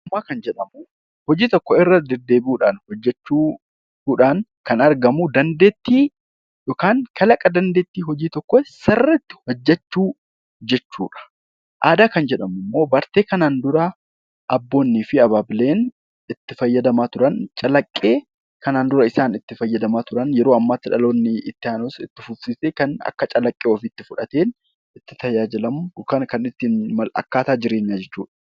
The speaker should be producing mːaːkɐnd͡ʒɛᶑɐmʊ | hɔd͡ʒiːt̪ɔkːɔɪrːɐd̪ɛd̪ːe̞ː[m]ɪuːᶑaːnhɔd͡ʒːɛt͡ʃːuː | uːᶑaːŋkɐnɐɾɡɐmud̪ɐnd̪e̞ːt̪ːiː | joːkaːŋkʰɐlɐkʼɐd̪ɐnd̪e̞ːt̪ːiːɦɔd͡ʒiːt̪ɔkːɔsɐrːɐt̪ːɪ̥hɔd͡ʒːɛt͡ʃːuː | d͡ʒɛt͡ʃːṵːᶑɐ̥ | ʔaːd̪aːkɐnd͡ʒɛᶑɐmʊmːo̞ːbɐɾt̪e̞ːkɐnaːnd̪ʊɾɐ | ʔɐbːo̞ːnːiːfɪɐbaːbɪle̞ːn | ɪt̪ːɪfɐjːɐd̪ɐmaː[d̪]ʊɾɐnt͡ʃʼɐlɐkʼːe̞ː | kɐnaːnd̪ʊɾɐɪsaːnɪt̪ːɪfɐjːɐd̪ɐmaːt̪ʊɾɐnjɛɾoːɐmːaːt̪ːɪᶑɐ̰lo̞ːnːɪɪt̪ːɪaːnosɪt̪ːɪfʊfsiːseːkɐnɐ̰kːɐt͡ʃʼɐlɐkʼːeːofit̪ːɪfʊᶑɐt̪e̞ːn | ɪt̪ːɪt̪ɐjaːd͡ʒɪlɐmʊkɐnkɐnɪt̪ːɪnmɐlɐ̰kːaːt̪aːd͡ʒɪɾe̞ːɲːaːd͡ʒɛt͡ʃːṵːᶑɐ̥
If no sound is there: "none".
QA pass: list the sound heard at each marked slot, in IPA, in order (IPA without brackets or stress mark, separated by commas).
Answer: b, t̪